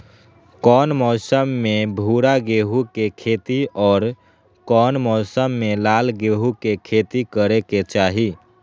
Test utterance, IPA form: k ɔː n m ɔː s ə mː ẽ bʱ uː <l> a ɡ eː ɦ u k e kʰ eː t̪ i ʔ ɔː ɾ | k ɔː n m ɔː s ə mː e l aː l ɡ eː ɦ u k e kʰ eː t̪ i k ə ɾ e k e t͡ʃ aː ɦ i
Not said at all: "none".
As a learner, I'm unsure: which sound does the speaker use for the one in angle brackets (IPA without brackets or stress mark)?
ɾ